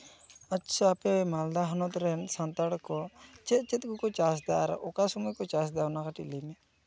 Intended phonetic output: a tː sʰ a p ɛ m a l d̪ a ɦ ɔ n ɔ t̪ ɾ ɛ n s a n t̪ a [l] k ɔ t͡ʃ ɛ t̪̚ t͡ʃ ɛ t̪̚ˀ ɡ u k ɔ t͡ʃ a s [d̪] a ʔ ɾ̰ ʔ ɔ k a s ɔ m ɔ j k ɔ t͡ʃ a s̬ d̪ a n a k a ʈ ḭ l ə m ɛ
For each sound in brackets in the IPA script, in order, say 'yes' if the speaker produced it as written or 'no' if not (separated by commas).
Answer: no, yes